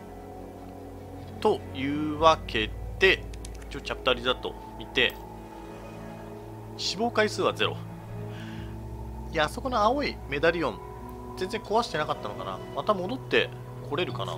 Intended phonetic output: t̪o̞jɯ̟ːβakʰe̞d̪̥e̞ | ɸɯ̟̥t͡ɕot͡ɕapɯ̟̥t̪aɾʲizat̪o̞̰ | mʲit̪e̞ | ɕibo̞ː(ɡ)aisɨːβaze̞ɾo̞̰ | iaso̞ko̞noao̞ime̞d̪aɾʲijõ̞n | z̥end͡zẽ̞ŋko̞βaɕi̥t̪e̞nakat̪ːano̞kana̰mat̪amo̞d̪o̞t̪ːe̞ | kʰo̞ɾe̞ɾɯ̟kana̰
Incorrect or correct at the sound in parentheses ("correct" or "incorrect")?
incorrect